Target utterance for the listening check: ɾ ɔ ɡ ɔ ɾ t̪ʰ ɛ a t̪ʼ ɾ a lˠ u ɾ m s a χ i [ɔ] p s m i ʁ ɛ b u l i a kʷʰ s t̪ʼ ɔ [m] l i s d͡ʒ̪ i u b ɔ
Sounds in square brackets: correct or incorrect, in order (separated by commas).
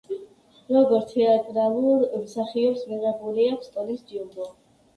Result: correct, incorrect